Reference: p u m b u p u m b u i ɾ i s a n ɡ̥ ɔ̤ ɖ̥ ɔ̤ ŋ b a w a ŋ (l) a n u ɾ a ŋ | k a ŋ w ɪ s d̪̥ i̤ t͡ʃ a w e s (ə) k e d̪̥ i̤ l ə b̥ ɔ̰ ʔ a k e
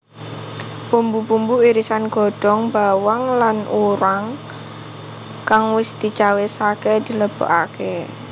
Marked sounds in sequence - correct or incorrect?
correct, incorrect: a

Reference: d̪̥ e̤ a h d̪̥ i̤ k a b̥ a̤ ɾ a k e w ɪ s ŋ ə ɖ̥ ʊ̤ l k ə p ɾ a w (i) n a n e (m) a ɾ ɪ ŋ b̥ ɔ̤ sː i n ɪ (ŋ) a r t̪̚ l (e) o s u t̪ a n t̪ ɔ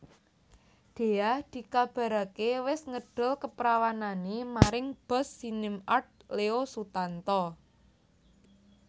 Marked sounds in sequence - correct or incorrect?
incorrect: a, correct, incorrect: m, correct

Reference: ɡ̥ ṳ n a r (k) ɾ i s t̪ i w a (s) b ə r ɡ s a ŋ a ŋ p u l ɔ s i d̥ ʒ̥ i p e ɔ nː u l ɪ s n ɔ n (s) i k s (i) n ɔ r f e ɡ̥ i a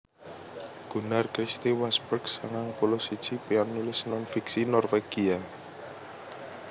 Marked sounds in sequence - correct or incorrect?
correct, correct, incorrect: f, correct

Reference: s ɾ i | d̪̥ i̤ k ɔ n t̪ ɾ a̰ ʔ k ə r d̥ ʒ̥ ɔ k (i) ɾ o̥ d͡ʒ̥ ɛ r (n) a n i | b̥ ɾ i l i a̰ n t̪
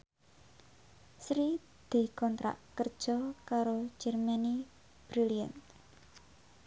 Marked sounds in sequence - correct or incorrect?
incorrect: a, incorrect: m

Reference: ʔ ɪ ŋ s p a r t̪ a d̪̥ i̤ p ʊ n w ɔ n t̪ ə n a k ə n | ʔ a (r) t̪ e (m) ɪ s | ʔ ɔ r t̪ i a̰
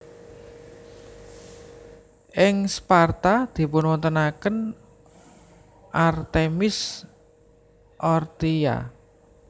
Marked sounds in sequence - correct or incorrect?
correct, correct

